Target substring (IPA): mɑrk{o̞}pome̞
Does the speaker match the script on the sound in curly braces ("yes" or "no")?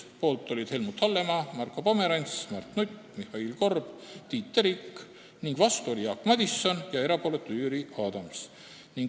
yes